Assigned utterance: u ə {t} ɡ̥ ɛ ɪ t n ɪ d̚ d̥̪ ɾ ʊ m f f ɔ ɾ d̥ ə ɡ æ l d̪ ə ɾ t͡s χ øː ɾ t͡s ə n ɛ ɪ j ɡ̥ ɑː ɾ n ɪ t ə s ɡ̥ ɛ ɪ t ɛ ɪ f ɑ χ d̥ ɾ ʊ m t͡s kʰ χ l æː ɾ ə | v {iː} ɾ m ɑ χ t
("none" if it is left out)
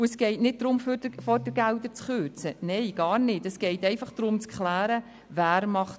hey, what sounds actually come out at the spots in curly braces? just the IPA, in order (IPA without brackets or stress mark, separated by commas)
s, æː